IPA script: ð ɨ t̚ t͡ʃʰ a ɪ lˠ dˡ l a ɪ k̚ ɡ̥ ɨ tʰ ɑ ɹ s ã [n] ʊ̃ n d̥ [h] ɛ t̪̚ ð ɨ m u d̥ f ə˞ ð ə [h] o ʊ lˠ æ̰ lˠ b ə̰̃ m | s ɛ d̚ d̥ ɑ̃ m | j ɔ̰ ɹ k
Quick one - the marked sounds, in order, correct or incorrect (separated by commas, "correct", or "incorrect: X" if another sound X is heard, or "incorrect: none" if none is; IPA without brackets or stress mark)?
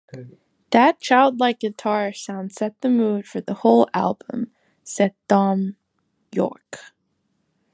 incorrect: none, incorrect: s, correct